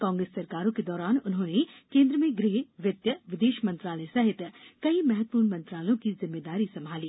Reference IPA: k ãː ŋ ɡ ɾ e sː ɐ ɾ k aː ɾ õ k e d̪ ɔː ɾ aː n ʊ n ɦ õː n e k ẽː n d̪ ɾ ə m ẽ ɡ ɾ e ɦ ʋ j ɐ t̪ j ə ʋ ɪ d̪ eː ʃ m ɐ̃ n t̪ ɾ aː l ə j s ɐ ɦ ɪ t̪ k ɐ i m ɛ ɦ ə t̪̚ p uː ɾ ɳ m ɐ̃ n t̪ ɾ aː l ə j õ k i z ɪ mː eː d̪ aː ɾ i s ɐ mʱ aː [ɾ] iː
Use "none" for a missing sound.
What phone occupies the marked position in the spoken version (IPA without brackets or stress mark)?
l